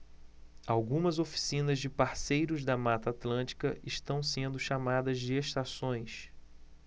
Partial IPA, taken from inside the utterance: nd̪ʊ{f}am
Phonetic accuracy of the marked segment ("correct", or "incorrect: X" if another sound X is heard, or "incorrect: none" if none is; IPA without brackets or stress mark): incorrect: ʃ